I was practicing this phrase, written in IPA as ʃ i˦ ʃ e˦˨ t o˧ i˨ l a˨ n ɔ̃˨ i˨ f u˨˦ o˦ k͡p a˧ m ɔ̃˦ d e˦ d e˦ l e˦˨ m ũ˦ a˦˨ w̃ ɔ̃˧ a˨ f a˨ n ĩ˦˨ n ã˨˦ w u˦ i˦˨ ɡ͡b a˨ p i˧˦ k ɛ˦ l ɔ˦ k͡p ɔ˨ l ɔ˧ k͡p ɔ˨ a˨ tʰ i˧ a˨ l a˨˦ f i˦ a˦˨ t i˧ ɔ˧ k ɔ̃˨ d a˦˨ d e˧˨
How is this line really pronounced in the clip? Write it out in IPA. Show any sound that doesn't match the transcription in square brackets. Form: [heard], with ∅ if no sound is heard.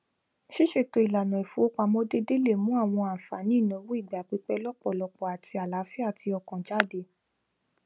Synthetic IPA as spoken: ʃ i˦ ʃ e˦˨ t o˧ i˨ l a˨ n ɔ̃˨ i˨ f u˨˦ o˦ k͡p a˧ m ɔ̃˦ d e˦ d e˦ l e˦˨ m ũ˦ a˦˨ w̃ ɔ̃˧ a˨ f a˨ n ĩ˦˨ n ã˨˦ w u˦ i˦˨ ɡ͡b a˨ [k͡p] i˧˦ [k͡p] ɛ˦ l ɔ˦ k͡p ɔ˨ l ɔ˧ k͡p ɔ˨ a˨ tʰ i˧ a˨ l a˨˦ f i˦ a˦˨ t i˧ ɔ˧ k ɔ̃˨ [d͡ʒ] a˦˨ d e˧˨

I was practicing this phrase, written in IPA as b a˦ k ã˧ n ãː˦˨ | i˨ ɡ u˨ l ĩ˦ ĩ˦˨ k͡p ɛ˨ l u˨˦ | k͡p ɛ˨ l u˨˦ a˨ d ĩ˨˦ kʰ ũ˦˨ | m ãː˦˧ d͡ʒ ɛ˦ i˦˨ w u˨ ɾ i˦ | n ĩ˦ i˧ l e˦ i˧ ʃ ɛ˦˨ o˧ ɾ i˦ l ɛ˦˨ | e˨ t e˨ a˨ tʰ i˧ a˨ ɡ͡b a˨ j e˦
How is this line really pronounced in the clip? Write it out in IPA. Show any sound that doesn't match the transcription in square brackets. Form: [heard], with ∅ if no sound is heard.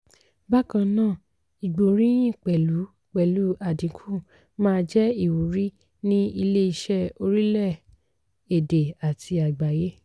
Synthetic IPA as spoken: b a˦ k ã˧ n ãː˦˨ | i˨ [ɡ͡b] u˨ [ɾ] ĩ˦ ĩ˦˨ k͡p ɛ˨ l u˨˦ | k͡p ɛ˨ l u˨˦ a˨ d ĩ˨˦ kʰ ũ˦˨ | m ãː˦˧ d͡ʒ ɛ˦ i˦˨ w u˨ ɾ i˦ | n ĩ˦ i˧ l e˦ i˧ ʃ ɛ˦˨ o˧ ɾ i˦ l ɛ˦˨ | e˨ [d] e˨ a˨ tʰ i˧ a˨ ɡ͡b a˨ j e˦

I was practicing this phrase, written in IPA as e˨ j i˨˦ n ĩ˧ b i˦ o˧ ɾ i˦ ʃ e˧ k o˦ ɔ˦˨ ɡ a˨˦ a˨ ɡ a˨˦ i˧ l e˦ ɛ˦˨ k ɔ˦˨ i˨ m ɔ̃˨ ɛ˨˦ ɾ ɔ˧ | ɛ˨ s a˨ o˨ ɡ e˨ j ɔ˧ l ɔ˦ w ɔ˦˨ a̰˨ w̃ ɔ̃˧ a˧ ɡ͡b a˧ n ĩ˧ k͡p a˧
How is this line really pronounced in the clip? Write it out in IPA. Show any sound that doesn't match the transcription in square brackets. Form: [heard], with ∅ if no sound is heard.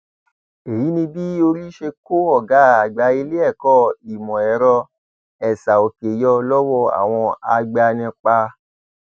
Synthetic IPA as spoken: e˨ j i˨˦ n ĩ˧ b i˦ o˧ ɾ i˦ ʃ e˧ k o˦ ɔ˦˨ ɡ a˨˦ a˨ [ɡ͡b] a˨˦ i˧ l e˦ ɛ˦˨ k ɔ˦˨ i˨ m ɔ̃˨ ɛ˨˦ ɾ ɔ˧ | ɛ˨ s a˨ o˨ [k] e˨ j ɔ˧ l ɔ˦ w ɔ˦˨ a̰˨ w̃ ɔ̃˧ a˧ ɡ͡b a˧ n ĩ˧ k͡p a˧

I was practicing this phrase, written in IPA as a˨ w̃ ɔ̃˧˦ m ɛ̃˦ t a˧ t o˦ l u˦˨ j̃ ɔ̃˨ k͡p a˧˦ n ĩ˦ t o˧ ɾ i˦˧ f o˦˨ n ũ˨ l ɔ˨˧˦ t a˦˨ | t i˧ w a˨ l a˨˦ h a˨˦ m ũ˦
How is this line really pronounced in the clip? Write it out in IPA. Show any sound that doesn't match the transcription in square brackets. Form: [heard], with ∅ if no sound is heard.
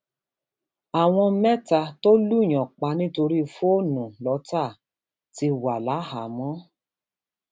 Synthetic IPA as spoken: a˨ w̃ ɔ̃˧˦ m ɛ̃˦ t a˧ t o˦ l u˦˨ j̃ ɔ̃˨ k͡p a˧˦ n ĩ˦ t o˧ ɾ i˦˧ f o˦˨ n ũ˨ l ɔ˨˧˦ t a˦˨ | t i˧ w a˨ l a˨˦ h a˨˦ m [ɔ̃˦]

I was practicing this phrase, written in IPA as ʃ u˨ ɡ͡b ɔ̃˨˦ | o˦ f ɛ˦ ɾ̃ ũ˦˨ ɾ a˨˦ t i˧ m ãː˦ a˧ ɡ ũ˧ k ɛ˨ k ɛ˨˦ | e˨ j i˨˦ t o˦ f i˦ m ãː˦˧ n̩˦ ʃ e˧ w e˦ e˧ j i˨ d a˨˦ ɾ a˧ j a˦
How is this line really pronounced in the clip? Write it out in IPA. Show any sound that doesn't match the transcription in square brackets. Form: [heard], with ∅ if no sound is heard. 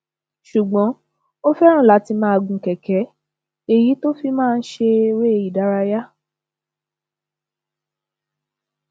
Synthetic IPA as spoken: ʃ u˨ ɡ͡b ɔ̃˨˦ | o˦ f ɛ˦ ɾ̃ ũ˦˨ [l] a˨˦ t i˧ m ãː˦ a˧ ɡ ũ˧ k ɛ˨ k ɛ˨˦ | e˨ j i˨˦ t o˦ f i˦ m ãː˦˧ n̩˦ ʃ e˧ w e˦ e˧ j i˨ d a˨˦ ɾ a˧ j a˦

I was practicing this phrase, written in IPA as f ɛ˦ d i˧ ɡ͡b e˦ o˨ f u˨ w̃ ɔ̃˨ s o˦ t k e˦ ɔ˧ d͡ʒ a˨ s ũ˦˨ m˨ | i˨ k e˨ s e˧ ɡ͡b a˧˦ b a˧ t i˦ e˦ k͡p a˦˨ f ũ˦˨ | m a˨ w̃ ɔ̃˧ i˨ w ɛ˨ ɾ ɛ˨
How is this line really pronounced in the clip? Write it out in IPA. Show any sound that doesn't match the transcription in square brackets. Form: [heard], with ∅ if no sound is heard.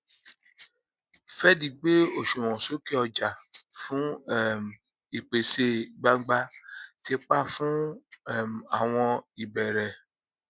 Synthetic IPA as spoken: f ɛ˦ d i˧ ɡ͡b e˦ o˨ [ʃ] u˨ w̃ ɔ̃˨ s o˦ [∅] k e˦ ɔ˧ d͡ʒ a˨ [f] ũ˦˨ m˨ | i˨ [k͡p] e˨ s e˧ ɡ͡b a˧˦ [ɡ͡b] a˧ t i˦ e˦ k͡p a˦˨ f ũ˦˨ | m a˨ w̃ ɔ̃˧ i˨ [b] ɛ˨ ɾ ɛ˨

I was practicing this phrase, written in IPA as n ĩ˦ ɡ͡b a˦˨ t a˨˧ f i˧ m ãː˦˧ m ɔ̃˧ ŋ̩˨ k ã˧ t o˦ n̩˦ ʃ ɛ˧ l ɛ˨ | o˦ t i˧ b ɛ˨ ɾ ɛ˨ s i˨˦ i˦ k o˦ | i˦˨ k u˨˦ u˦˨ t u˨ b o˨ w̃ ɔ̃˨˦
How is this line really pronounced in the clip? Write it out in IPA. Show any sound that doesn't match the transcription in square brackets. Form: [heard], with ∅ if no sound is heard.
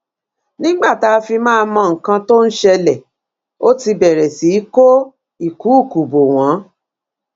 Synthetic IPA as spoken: n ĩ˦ ɡ͡b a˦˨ t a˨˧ f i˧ m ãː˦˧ m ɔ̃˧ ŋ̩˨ k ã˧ t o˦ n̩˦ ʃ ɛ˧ l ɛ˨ | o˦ t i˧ b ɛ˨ ɾ ɛ˨ s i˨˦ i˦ k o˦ | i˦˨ k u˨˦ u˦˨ [k] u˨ b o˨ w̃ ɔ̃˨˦

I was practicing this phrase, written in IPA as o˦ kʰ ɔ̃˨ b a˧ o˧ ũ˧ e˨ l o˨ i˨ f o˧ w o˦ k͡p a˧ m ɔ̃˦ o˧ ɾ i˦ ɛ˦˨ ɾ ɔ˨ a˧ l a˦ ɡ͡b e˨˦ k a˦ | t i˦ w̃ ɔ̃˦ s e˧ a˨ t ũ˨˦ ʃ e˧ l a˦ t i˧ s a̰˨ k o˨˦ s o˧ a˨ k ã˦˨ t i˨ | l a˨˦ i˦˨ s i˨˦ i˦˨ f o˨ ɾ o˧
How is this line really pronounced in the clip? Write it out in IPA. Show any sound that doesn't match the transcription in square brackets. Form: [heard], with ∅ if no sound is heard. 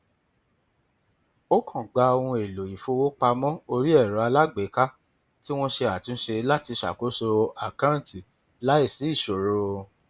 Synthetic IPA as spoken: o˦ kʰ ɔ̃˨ [ɡ͡b] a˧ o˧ ũ˧ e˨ l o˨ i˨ f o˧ w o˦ k͡p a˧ m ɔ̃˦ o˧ ɾ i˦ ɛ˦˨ ɾ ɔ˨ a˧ l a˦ ɡ͡b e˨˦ k a˦ | t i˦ w̃ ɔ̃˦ [ʃ] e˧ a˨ t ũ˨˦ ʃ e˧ l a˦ t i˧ [ʃ] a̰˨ k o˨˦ s o˧ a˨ k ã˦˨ t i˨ | l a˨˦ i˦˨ s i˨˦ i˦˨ [ʃ] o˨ ɾ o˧

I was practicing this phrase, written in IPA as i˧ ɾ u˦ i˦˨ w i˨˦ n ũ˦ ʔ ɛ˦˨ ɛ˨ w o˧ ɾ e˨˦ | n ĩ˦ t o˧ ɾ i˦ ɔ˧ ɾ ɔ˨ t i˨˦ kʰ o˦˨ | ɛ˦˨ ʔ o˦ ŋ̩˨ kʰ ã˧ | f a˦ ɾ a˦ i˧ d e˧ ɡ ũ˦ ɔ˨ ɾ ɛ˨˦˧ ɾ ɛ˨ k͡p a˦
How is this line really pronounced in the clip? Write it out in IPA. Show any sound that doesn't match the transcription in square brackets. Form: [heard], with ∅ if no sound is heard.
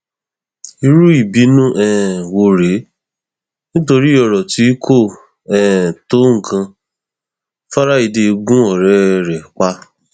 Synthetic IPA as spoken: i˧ ɾ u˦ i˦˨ [b] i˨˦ n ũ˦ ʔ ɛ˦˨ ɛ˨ w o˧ ɾ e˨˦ | n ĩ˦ t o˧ ɾ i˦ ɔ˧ ɾ ɔ˨ t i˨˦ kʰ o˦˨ | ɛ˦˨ [t] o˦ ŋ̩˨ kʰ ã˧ | f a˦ ɾ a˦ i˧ d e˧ ɡ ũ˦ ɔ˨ ɾ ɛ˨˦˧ ɾ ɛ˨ k͡p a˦

